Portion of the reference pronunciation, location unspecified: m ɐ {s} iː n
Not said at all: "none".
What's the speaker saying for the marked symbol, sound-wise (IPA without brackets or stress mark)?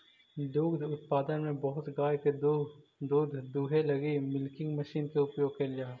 ʃ